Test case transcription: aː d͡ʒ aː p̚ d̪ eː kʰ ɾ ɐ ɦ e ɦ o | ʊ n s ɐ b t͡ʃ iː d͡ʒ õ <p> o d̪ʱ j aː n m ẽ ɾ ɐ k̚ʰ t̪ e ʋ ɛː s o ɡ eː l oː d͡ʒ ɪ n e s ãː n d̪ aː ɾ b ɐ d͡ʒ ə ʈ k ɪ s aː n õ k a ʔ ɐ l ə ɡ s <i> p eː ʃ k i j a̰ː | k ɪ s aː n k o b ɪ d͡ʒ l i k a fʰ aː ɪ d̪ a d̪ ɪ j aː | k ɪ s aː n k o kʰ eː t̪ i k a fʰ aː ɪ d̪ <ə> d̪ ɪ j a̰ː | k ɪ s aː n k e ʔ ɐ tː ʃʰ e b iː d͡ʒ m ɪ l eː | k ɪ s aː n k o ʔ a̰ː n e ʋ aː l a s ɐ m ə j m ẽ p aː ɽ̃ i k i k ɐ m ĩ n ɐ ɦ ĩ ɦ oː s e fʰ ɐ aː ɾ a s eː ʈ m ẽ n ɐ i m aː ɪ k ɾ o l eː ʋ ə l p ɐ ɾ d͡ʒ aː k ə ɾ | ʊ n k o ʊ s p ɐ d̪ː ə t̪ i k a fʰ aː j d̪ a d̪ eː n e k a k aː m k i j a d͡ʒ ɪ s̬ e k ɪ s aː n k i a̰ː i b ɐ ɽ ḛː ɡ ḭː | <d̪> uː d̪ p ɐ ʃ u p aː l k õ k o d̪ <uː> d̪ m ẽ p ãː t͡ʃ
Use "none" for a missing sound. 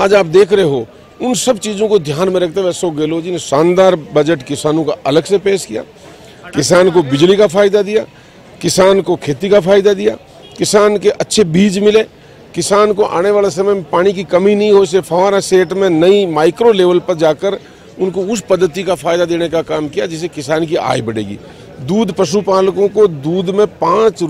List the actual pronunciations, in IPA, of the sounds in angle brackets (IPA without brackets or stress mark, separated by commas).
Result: k, e, a, d̪, uː